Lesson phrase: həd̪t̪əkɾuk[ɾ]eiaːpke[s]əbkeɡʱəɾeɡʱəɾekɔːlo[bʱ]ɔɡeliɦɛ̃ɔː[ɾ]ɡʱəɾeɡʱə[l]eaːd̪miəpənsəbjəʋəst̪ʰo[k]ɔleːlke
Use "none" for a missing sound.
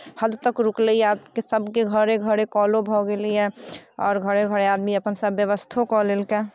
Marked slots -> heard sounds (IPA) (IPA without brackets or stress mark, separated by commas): l, s, bʱ, ɾ, ɾ, k